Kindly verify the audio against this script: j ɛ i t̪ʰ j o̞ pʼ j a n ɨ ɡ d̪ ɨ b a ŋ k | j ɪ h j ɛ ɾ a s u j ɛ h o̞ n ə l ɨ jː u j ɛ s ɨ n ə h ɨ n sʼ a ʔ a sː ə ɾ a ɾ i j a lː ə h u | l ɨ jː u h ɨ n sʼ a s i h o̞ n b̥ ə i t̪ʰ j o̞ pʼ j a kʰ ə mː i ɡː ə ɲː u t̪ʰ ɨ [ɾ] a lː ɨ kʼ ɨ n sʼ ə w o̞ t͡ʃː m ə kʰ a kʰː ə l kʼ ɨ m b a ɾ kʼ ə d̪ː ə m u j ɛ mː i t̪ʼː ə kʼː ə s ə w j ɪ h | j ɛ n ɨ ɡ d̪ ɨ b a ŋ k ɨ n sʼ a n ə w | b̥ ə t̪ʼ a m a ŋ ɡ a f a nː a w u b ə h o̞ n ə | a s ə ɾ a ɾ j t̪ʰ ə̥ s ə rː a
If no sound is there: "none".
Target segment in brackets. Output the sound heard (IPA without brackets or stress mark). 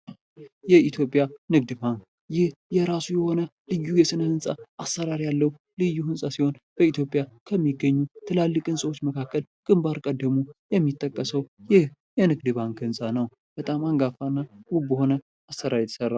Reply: l